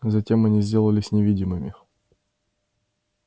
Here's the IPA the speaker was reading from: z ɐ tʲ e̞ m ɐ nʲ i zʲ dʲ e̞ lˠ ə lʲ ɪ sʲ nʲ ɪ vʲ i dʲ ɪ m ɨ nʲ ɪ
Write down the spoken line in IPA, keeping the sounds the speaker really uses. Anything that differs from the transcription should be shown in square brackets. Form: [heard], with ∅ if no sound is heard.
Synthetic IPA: z ɐ tʲ e̞ m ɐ nʲ i zʲ dʲ e̞ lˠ ə lʲ ɪ sʲ nʲ ɪ vʲ i dʲ ɪ m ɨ [mʲ] ɪ